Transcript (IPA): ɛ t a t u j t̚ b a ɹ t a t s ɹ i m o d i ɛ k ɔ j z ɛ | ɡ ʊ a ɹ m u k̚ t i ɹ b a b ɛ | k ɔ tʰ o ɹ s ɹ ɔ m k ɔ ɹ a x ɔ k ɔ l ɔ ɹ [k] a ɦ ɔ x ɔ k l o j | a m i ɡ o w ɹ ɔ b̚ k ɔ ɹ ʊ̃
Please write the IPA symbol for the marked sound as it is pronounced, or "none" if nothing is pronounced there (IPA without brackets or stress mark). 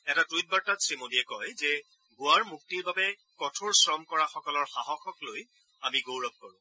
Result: x